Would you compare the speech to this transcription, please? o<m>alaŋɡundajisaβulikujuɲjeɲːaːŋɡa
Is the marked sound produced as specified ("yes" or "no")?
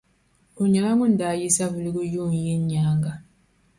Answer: no